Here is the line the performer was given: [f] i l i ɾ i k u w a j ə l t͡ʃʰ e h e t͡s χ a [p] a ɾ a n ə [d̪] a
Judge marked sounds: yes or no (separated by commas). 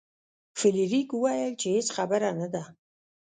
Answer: yes, no, yes